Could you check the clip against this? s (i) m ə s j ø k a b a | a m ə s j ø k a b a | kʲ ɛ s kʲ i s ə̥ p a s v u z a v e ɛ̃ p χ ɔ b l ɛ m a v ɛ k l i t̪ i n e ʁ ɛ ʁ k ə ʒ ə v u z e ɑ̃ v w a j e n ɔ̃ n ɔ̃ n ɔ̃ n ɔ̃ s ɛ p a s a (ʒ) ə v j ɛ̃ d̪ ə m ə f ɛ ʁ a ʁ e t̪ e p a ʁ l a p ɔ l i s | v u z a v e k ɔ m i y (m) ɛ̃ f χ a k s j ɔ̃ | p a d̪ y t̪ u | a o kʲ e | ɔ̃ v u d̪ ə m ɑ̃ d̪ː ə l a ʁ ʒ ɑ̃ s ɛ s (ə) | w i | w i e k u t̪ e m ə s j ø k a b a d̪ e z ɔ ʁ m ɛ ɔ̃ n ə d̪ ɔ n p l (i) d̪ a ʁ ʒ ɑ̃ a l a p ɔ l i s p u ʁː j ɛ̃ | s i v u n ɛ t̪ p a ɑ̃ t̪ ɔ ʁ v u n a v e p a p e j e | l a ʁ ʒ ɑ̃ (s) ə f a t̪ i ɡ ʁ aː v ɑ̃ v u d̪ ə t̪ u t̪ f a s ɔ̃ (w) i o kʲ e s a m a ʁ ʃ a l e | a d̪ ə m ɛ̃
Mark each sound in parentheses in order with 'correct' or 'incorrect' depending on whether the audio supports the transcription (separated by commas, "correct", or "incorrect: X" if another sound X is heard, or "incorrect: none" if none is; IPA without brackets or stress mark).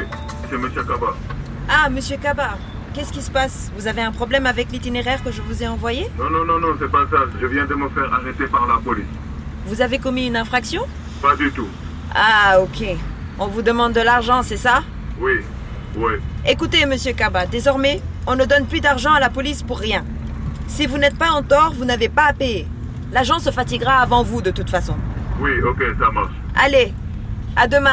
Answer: incorrect: ɛ, correct, incorrect: n, incorrect: a, incorrect: y, correct, correct